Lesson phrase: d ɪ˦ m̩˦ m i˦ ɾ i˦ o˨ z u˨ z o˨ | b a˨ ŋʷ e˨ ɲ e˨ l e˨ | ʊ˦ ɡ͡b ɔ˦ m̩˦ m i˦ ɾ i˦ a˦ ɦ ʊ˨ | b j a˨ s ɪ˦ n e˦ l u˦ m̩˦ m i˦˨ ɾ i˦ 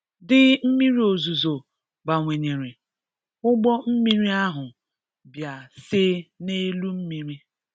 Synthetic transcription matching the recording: d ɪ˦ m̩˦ m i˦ ɾ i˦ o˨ z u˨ z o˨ | b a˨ ŋʷ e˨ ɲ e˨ ɾ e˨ | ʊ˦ ɡ͡b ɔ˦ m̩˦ m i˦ ɾ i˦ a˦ ɦ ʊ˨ | b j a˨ s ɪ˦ n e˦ l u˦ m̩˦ m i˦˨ ɾ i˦